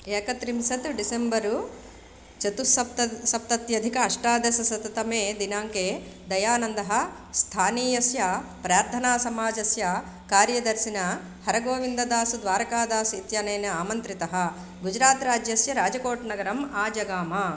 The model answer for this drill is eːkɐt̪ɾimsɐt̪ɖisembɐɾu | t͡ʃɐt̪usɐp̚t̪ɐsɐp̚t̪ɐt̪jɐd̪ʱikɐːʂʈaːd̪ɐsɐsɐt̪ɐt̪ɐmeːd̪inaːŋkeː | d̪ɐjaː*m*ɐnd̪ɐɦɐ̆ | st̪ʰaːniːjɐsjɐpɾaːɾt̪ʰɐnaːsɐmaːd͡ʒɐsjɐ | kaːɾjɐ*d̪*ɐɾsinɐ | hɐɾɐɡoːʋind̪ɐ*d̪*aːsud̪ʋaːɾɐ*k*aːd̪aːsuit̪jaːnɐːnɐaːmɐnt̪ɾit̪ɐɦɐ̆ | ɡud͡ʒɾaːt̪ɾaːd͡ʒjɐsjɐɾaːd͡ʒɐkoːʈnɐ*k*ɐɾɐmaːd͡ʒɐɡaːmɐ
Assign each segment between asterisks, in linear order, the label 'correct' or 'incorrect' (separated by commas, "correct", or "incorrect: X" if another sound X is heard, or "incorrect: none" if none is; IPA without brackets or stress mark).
incorrect: n, correct, correct, correct, incorrect: ɡ